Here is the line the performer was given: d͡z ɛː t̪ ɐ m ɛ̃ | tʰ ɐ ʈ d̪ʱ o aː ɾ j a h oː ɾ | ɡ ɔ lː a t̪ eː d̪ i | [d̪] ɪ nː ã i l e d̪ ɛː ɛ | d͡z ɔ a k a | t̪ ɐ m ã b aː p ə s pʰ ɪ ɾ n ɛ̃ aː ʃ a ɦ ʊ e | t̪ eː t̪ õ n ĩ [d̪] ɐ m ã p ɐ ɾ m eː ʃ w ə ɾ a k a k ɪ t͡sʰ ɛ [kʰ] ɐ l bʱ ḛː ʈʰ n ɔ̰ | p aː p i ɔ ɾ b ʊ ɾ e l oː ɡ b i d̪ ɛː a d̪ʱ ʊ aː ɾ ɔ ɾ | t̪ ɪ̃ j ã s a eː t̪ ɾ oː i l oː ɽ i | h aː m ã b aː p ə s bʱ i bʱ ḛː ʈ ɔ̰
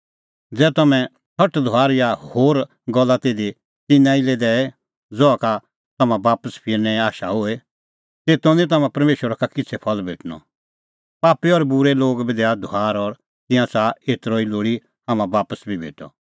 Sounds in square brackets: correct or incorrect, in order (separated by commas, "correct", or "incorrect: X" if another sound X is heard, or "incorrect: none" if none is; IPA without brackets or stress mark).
incorrect: t̪, incorrect: t̪, incorrect: pʰ